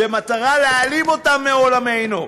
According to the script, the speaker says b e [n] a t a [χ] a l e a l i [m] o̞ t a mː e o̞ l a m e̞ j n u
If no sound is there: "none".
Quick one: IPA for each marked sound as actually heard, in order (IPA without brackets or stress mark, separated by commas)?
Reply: m, ʁ, m